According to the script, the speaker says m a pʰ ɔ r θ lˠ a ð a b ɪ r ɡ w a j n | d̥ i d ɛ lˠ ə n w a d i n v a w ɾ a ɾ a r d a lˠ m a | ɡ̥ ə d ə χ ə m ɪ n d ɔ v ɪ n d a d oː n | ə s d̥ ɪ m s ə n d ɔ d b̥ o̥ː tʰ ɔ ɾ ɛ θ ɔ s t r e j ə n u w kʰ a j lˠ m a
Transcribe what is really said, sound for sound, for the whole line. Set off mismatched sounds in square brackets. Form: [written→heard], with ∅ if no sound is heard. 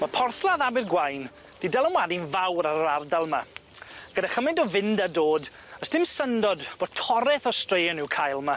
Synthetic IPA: m a pʰ ɔ r θ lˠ a ð a b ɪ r ɡ w a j n | d̥ i d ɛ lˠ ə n w a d i n v a w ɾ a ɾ a r d a lˠ m a | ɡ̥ ə d [ə→a] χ ə m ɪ n d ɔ v ɪ n d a d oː [n→d] | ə s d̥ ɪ m s ə n d ɔ d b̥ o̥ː tʰ ɔ ɾ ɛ θ ɔ s t r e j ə n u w kʰ a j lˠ m a